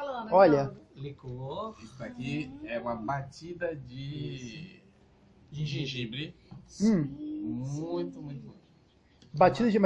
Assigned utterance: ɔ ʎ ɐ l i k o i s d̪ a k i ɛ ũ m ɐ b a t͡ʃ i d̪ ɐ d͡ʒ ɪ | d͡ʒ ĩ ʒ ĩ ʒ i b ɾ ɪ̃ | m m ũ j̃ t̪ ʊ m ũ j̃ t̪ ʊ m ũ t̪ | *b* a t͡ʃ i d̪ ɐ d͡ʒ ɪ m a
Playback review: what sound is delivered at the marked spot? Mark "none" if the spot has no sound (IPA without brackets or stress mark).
b